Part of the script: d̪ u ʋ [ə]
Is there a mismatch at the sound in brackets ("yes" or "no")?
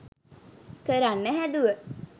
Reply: no